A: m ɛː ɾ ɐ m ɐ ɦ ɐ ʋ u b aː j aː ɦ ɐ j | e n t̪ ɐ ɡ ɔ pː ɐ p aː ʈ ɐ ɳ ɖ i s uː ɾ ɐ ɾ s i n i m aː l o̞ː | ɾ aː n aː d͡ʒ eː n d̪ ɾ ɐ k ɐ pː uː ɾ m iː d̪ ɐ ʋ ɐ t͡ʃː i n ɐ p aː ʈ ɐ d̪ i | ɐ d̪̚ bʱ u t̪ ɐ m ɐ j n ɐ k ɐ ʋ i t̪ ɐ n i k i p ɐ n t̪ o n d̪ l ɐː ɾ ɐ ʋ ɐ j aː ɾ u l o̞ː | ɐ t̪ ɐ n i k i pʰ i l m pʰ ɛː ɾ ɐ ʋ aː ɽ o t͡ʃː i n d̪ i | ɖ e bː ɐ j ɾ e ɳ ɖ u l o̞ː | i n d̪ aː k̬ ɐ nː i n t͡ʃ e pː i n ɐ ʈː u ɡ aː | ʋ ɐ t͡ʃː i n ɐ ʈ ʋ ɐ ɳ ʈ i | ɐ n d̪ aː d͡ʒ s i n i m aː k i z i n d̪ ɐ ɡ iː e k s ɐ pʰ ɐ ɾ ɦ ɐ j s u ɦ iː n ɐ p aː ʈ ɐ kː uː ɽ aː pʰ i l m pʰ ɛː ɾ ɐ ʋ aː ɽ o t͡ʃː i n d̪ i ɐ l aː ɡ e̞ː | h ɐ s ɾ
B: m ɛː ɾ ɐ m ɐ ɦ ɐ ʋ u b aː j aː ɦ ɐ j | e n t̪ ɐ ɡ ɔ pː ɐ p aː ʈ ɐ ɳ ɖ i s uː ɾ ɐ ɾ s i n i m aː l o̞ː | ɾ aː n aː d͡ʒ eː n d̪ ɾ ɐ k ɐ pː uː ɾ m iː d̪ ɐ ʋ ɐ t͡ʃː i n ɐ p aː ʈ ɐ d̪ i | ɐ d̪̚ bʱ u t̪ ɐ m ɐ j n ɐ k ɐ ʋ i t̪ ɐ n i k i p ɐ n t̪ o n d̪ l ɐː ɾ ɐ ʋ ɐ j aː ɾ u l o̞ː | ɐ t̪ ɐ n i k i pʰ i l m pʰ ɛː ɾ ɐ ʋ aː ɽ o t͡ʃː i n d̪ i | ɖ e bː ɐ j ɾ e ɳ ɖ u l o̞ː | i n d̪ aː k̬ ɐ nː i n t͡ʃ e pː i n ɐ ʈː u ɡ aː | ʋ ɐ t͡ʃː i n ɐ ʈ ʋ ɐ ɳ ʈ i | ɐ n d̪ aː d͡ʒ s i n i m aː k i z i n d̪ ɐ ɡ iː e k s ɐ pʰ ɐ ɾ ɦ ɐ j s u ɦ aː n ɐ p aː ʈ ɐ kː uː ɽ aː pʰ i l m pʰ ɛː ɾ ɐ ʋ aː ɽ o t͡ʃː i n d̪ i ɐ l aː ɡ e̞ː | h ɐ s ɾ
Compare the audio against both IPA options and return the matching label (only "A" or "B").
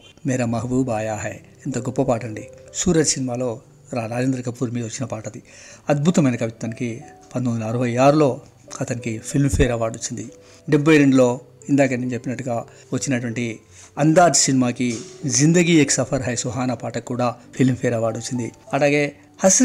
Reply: B